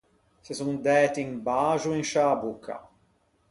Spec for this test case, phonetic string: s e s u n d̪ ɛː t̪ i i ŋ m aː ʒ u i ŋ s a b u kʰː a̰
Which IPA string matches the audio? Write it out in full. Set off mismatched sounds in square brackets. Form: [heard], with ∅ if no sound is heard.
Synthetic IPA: s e s u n d̪ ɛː t̪ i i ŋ [b] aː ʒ u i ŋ [ʃ] a b u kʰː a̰